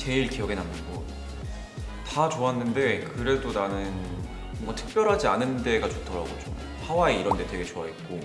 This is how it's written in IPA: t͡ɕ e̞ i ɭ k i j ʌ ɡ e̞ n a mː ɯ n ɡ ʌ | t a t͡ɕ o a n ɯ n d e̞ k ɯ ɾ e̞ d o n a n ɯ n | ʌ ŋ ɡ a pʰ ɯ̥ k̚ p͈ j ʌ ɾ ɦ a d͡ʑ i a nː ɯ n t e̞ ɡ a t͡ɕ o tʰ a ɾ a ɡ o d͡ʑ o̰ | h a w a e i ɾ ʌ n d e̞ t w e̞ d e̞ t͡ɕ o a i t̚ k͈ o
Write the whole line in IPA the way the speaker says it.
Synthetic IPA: t͡ɕ e̞ i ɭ k i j ʌ ɡ e̞ n a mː ɯ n ɡ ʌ | t a t͡ɕ o a nː ɯ n d e̞ k ɯ ɾ e̞ d o n a n ɯ n | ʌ ŋ ɡ a tʰ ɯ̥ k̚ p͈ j ʌ ɾ ɦ a d͡ʑ i a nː ɯ n d e̞ ɡ a t͡ɕ o tʰ ʌ ɾ a ɡ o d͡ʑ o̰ | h a w a e i ɾ ʌ n d e̞ t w e̞ ɡ e̞ t͡ɕ o a i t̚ k͈ o